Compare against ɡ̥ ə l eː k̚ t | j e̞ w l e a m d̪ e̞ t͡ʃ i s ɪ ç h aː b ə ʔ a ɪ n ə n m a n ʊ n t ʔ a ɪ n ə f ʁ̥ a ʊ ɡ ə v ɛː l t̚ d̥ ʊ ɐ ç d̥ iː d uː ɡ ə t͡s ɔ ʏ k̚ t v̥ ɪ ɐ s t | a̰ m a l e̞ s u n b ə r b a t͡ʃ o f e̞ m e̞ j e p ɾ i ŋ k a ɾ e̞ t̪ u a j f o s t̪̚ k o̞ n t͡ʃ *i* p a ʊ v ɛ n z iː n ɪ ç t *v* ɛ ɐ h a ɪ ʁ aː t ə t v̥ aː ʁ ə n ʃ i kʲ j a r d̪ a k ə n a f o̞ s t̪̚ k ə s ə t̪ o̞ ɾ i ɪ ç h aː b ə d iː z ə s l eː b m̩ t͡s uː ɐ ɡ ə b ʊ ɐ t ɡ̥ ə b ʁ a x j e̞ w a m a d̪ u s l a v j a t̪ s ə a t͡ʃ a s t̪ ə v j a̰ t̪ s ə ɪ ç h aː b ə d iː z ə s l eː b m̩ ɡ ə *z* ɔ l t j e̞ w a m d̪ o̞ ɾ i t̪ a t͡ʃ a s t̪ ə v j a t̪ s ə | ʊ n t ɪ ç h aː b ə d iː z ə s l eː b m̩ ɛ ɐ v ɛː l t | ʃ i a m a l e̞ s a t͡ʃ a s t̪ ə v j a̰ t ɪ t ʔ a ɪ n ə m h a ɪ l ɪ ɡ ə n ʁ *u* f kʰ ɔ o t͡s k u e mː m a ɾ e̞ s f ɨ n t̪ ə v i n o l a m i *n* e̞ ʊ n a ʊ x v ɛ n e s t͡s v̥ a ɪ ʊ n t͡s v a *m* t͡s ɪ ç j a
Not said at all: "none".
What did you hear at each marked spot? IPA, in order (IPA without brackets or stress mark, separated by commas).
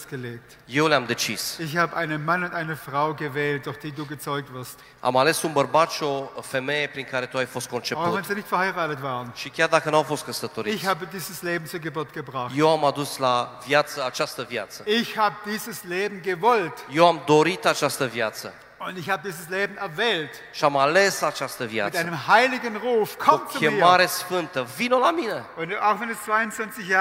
e, f, v, uː, n, n